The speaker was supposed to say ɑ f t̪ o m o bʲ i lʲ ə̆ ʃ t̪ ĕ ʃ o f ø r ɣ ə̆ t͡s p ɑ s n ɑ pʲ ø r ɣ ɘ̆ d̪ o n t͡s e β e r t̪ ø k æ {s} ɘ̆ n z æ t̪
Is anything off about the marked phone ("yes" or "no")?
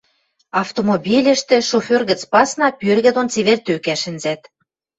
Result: yes